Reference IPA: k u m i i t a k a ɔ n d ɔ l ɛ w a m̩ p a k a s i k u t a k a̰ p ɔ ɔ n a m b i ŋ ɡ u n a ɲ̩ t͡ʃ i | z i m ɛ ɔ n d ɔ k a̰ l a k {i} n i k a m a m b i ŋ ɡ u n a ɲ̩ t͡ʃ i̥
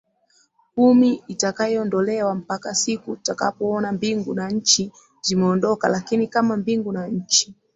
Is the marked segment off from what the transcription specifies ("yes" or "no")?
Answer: no